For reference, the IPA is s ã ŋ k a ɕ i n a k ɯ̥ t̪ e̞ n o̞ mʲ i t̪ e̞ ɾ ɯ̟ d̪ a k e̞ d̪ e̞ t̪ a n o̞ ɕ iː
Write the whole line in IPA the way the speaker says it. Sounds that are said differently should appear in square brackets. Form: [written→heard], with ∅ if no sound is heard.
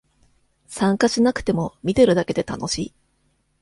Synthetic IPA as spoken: s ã ŋ k a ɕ i n a k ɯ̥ t̪ e̞ [n→m] o̞ mʲ i t̪ e̞ ɾ ɯ̟ d̪ a k e̞ d̪ e̞ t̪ a n o̞ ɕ iː